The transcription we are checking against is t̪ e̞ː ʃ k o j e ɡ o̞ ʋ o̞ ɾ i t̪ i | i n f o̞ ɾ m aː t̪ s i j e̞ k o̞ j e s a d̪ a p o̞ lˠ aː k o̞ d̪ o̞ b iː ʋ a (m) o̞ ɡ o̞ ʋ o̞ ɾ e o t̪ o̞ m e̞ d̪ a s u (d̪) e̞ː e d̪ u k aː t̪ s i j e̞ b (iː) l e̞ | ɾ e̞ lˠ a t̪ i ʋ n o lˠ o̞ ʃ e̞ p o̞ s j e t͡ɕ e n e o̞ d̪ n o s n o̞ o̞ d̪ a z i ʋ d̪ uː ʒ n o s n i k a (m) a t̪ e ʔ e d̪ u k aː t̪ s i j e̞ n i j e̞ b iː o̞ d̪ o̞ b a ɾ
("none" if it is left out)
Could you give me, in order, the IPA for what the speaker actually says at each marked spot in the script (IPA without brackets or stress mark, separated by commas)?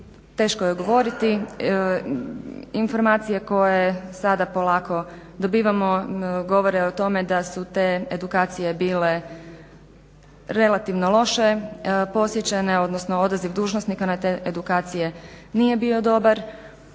m, t̪, iː, n